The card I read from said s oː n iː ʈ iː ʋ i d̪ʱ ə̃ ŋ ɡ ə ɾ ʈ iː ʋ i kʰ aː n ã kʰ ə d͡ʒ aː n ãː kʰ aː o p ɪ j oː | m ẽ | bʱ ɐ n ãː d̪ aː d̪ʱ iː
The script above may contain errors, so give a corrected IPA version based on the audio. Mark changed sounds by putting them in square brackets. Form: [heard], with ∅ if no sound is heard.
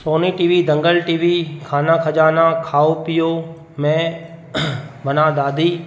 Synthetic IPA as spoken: s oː n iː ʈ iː ʋ i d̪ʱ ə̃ ŋ ɡ ə [l] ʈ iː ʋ i kʰ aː n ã kʰ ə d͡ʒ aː n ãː kʰ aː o p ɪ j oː | m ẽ | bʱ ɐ n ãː d̪ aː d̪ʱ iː

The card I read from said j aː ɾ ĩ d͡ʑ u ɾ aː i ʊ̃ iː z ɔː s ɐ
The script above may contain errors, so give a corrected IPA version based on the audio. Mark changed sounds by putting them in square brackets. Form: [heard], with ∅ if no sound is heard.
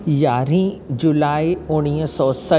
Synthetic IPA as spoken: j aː ɾ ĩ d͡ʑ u [l] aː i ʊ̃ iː [s] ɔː s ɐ

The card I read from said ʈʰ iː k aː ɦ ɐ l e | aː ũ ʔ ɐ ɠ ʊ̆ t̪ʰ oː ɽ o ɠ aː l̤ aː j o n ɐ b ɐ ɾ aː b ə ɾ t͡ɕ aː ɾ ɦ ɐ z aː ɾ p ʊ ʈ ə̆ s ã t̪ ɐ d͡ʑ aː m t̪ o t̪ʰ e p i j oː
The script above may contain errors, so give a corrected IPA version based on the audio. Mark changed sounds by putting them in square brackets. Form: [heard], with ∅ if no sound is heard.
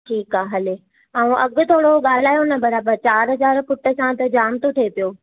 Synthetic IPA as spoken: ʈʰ iː k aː ɦ ɐ l e | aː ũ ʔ ɐ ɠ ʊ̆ t̪ʰ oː ɽ o ɠ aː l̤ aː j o n ɐ b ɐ ɾ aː b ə ɾ t͡ɕ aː ɾ ɦ ɐ z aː ɾ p ʊ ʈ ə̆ s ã t̪ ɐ d͡ʑ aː m t̪ o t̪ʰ e p i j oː

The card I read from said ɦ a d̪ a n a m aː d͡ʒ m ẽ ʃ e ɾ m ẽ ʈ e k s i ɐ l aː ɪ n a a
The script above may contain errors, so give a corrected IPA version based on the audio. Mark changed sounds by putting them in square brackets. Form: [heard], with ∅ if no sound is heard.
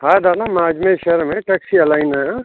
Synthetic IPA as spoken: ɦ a d̪ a n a m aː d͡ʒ m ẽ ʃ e ɾ m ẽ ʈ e k s i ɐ l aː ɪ n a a

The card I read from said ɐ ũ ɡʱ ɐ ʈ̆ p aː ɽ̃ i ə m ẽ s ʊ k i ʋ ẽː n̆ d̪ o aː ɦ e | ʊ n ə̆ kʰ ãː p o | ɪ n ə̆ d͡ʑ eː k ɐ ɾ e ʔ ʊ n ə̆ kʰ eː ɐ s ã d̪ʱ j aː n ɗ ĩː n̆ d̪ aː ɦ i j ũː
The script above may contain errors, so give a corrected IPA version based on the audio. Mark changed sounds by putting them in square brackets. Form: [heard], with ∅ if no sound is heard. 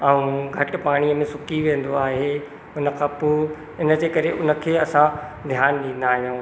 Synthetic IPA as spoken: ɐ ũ ɡʱ ɐ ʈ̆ p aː ɽ̃ i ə m ẽ s ʊ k i ʋ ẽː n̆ d̪ o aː ɦ e | ʊ n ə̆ kʰ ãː p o | ɪ n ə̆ d͡ʑ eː k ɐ ɾ e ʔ ʊ n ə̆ kʰ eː ɐ s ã d̪ʱ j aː n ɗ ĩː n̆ d̪ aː ɦ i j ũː

